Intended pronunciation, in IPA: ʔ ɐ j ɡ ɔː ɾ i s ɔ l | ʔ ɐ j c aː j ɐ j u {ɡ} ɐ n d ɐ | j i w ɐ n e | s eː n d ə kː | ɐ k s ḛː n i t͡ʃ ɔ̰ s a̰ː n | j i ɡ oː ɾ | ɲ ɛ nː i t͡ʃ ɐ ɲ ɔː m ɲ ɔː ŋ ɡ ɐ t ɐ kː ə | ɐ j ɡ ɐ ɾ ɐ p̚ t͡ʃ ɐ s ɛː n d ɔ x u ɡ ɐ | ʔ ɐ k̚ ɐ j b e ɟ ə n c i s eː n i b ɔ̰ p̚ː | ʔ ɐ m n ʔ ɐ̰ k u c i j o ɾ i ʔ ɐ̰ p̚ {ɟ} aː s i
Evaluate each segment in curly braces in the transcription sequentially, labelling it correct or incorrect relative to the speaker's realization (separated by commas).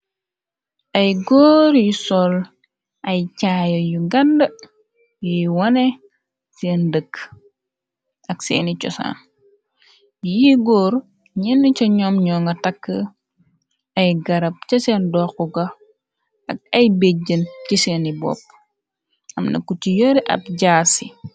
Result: correct, correct